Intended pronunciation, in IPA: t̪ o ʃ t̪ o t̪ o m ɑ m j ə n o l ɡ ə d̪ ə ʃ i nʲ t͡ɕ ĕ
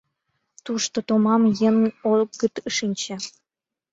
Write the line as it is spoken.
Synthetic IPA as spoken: t̪ u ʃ t̪ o t̪ o m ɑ m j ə n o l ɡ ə t̪ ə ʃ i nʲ t͡ɕ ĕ